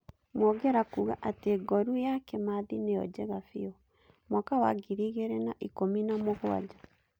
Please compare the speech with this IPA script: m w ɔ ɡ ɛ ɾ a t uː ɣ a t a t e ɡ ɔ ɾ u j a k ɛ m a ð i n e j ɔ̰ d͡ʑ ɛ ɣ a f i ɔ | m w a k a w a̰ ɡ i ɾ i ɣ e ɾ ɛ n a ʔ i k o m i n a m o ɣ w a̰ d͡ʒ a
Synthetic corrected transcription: m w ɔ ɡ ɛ ɾ a k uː ɣ a ʔ a t e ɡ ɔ ɾ u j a k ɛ m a ð i n e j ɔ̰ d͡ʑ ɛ ɣ a f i ɔ | m w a k a w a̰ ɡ i ɾ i ɣ e ɾ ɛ n a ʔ i k o m i n a m o ɣ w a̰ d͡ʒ a